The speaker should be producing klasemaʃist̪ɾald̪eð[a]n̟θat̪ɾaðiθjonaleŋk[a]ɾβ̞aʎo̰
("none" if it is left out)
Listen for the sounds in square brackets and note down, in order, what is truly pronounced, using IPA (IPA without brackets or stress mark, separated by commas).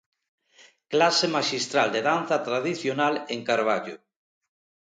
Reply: a, a